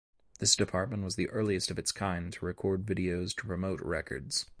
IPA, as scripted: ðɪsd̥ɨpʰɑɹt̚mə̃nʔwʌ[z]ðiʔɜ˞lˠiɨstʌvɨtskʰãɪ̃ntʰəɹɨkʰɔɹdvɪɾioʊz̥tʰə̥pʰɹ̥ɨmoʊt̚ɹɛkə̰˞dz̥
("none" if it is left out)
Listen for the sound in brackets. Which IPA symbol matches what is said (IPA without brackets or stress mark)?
z